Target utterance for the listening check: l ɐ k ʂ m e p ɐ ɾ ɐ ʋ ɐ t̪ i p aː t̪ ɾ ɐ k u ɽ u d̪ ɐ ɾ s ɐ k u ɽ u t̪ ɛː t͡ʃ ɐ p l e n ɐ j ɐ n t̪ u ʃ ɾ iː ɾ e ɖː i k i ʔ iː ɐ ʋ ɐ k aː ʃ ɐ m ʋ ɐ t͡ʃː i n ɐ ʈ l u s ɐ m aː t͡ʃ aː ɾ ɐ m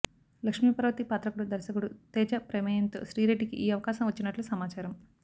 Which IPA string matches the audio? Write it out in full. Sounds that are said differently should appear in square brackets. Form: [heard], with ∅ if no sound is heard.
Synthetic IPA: l ɐ k ʂ m [i] p ɐ ɾ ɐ ʋ ɐ t̪ i p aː t̪ ɾ ɐ k u ɽ u d̪ ɐ ɾ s ɐ k u ɽ u t̪ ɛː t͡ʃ ɐ p [ɾ] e [m] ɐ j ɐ n t̪ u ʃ ɾ iː ɾ e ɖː i k i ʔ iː ɐ ʋ ɐ k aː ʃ ɐ m ʋ ɐ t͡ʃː i n ɐ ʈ l u s ɐ m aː t͡ʃ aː ɾ ɐ m